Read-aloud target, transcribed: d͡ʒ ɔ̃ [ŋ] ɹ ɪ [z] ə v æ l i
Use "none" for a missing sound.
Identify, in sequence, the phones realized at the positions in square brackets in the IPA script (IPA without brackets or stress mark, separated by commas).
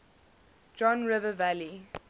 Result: n, v